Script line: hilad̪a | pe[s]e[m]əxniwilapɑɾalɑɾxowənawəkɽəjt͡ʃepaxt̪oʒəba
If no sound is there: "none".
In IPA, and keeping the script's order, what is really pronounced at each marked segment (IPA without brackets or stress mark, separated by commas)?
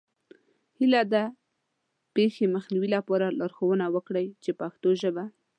x, m